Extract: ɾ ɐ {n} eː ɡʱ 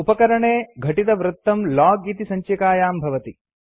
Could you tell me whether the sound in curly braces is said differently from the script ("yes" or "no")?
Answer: yes